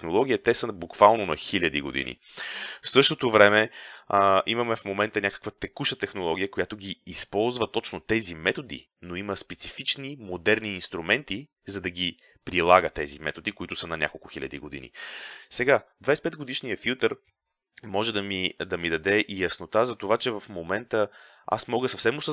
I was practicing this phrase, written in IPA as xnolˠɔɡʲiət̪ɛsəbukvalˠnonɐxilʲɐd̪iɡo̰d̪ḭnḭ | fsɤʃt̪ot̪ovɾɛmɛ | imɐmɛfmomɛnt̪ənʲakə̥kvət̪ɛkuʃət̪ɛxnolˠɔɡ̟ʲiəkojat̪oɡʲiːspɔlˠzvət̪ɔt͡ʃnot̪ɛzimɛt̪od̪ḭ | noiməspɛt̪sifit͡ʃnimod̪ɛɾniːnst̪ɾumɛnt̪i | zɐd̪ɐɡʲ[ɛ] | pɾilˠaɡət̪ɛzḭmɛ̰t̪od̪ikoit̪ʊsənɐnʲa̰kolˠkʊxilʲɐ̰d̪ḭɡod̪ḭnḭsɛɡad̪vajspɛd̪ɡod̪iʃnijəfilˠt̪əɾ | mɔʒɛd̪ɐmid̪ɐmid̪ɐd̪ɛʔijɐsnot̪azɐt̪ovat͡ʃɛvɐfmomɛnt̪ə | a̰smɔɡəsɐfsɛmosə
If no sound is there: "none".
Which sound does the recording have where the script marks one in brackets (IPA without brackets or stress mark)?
i